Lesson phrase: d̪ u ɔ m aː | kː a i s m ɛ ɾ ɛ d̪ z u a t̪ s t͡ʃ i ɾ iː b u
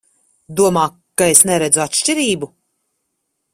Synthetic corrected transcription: d̪ u ɔ m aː | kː a e s n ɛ ɾ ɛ d̪ z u a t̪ ʃ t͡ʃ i ɾ iː b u